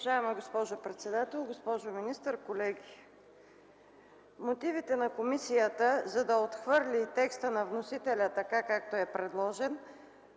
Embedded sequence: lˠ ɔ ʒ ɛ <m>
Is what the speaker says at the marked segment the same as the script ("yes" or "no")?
no